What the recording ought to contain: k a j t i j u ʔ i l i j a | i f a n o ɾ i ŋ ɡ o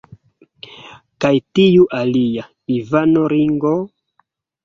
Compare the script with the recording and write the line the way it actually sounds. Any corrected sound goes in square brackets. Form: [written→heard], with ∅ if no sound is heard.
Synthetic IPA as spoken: k a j t i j u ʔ [i→a] l i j a | i [f→v] a n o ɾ i ŋ ɡ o